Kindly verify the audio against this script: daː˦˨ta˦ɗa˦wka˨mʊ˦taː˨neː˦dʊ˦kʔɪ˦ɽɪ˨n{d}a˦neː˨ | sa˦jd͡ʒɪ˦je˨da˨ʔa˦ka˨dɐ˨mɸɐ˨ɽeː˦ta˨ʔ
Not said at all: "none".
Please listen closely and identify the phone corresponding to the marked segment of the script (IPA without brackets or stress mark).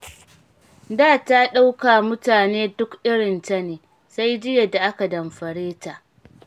t